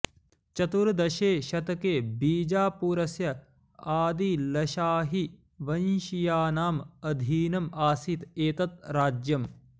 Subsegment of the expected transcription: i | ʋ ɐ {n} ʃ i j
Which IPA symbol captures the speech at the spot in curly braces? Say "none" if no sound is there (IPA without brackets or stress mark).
n